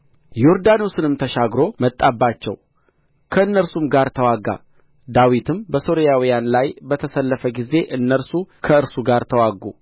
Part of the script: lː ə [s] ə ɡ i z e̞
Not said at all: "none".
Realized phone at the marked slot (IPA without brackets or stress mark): f